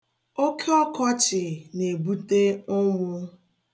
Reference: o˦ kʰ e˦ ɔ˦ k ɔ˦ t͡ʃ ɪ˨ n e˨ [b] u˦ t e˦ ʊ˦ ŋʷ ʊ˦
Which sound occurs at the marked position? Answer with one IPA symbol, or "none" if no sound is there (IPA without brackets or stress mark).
b